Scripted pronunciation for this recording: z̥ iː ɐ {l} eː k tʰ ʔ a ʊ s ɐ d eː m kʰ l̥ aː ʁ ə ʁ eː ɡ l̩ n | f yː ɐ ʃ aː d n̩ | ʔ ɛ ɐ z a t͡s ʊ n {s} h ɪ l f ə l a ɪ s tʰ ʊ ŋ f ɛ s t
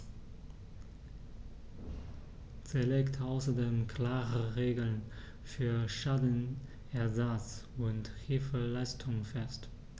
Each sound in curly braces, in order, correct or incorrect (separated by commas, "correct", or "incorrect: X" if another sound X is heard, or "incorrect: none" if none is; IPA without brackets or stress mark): correct, incorrect: t